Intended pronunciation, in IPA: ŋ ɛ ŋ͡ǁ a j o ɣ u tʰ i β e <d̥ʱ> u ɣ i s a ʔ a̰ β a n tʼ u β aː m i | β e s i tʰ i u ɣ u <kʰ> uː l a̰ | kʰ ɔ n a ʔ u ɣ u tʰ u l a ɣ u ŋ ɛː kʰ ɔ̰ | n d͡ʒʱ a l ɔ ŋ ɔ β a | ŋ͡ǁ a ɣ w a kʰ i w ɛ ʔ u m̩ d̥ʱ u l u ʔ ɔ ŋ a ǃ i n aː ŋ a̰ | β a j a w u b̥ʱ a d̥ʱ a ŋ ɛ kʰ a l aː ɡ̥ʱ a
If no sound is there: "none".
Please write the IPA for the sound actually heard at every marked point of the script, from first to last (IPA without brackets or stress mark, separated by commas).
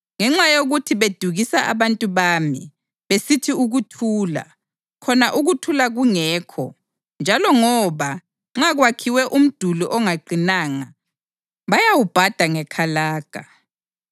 d̥ʱ, tʰ